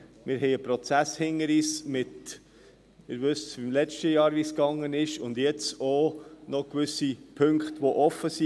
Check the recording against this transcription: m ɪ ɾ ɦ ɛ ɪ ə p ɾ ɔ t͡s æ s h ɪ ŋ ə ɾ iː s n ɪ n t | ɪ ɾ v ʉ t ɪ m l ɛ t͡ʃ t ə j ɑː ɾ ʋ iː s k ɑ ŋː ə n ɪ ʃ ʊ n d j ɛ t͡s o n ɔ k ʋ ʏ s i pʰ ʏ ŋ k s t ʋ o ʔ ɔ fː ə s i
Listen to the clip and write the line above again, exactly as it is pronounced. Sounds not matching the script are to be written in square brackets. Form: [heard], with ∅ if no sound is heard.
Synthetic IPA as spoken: m ɪ ɾ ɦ ɛ ɪ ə p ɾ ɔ t͡s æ s h ɪ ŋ ə ɾ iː s [m] ɪ [∅] t | ɪ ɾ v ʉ [s] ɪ m l ɛ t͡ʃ t ə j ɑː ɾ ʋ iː s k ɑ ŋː ə n ɪ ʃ ʊ n d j ɛ t͡s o n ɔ k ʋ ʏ s i pʰ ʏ ŋ k [χ] t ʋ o ʔ ɔ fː ə s i